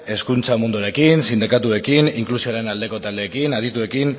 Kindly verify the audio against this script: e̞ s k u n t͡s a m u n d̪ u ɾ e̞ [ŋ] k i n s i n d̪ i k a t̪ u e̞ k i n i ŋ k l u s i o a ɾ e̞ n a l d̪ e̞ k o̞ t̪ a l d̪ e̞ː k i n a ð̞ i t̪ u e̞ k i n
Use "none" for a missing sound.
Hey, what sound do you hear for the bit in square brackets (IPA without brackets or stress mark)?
none